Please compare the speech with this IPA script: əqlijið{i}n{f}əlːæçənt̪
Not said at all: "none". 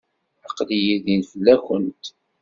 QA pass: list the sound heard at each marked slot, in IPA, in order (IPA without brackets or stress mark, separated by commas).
i, f